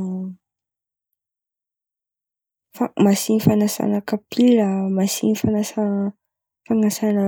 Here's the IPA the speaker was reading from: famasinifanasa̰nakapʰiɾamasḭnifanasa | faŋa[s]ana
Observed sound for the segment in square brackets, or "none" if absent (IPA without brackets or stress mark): s